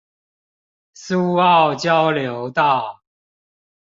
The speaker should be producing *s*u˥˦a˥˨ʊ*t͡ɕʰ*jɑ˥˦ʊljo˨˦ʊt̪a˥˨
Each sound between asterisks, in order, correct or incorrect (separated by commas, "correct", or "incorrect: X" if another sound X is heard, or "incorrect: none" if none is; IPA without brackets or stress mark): correct, incorrect: t͡ɕ